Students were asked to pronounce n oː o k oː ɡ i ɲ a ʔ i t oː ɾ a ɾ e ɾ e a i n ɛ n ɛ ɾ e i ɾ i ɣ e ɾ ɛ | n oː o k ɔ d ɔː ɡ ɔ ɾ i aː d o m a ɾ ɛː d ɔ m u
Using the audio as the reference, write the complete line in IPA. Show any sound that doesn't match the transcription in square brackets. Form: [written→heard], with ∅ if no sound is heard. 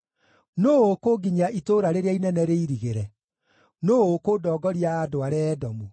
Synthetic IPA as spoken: n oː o k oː ɡ i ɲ a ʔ i t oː ɾ a ɾ e ɾ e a i n ɛ n ɛ ɾ e i ɾ i ɣ e ɾ ɛ | n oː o k [ɔ→o] d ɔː ɡ ɔ ɾ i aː d o [m→∅] a ɾ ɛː d ɔ m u